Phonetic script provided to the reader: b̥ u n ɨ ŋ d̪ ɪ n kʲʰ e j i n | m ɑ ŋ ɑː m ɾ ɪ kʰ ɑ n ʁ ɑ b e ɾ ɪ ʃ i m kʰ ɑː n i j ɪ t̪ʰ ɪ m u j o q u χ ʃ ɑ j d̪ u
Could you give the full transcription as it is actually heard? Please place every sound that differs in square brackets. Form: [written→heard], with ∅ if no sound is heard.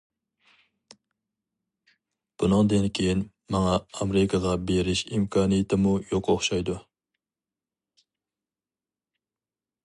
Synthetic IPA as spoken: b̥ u n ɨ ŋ d̪ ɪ n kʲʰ e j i n | m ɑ ŋ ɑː m ɾ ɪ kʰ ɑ [n→∅] ʁ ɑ b e ɾ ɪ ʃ i m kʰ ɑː n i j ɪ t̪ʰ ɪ m u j o q [u→o] χ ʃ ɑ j d̪ u